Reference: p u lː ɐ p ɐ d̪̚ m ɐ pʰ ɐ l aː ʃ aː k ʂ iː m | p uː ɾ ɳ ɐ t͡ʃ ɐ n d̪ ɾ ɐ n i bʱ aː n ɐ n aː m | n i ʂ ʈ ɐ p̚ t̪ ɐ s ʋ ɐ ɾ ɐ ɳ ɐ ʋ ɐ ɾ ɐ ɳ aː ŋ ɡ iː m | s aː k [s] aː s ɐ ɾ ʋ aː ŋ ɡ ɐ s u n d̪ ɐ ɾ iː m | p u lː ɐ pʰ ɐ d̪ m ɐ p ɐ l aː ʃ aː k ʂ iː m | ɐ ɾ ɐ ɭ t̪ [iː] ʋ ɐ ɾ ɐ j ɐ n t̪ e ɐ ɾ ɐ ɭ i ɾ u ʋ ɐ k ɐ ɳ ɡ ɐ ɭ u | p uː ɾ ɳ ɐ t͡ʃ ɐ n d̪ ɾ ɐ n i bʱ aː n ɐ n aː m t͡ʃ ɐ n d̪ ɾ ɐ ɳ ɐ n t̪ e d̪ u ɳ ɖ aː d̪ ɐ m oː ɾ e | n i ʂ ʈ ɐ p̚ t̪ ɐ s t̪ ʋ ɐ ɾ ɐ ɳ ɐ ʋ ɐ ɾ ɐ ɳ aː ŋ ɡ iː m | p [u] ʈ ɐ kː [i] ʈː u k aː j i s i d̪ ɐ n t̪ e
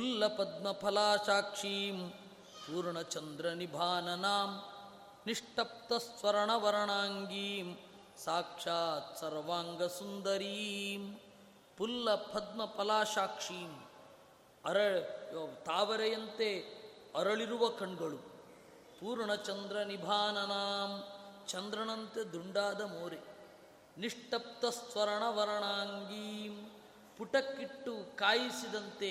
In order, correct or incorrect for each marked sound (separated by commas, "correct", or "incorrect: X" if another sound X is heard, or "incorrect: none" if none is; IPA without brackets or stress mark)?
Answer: incorrect: ʂ, incorrect: aː, correct, correct